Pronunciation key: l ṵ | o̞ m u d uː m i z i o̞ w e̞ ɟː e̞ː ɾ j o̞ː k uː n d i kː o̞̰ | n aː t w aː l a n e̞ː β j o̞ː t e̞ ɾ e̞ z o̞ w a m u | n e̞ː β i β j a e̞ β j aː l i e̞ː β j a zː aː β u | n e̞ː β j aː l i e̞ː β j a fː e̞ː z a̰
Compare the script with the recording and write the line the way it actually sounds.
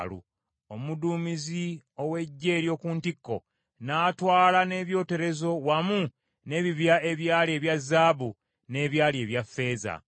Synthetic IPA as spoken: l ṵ | o̞ m u d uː m i z i o̞ w e̞ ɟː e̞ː ɾ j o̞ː k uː n t i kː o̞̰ | n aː t w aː l a n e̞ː β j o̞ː t e̞ ɾ e̞ z o̞ w a m u | n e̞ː β i β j a e̞ β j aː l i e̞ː β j a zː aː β u | n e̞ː β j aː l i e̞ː β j a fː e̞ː z a̰

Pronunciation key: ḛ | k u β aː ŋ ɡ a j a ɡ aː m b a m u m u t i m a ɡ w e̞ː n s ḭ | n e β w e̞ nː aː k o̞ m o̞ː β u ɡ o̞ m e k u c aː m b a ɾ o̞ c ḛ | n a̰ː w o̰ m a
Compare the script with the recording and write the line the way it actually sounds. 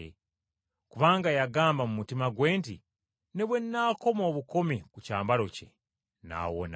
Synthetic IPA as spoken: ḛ | k u β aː ŋ ɡ a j a ɡ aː m b a m u m u t i m a ɡ w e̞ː n t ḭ | n e β w e̞ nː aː k o̞ m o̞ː β u k o̞ m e k u c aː m b a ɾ o̞ c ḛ | n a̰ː w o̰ n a

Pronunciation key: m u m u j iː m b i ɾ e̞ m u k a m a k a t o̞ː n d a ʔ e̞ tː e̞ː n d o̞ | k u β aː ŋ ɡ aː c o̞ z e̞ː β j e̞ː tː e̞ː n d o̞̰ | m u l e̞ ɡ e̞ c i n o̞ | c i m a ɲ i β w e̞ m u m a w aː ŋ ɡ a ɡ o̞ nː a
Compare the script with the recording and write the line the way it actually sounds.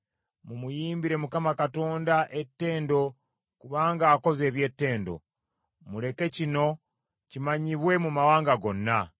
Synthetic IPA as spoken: m u m u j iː m b i ɾ e̞ m u k a m a k a t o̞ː n d a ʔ e̞ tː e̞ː n d o̞ | k u β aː ŋ ɡ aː k o̞ z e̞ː β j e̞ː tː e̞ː n d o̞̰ | m u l e̞ k e̞ c i n o̞ | c i m a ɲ i β w e̞ m u m a w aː ŋ ɡ a ɡ o̞ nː a

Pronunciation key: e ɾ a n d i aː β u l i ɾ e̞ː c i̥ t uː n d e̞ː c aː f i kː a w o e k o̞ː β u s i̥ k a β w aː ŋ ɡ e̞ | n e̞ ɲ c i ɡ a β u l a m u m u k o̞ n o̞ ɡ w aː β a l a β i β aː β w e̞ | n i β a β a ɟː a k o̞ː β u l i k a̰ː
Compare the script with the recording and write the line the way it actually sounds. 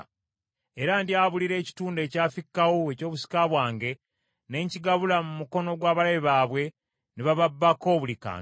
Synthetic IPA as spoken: e ɾ a n d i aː β u l i ɾ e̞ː c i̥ t uː n d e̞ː c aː f i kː a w o e c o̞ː β u s i̥ k a β w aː ŋ ɡ e̞ | n e̞ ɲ c i ɡ a β u l a m u m u k o̞ n o̞ ɡ w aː β a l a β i β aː β w e̞ | n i β a β a bː a k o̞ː β u l i k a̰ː

